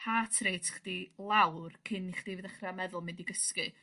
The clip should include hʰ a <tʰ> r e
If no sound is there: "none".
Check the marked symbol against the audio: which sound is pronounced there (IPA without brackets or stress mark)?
tʰ